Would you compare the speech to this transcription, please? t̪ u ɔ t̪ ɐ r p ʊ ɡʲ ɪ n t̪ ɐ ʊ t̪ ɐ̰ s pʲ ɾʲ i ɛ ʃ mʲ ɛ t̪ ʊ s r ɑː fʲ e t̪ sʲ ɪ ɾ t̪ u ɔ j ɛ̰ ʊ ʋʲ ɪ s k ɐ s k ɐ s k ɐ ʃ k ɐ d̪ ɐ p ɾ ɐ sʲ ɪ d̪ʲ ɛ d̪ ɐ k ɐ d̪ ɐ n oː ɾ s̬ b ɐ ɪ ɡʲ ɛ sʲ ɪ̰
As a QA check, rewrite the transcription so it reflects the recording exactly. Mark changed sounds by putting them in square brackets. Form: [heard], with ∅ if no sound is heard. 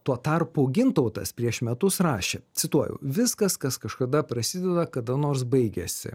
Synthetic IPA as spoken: t̪ u ɔ t̪ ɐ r p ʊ ɡʲ ɪ n t̪ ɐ ʊ t̪ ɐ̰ s pʲ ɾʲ i ɛ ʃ mʲ ɛ t̪ ʊ s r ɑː [ʃʲ] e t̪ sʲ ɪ [∅] t̪ u ɔ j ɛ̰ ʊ ʋʲ ɪ s k ɐ s k ɐ s k ɐ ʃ k ɐ d̪ ɐ p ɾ ɐ sʲ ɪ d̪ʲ ɛ d̪ ɐ k ɐ d̪ ɐ n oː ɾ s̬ b ɐ ɪ ɡʲ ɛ sʲ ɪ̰